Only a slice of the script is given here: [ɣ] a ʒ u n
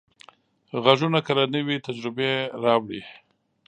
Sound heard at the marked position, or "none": ɣ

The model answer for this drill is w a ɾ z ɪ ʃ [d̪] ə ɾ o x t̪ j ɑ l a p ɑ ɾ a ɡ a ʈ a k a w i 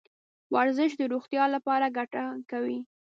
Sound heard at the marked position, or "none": d̪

